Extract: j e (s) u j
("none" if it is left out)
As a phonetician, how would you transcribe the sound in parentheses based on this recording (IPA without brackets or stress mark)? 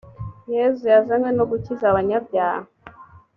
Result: z